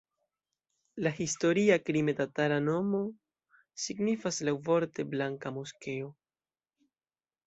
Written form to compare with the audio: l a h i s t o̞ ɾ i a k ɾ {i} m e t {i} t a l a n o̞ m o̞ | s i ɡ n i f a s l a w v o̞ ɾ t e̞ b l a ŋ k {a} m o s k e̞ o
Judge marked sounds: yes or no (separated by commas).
yes, no, yes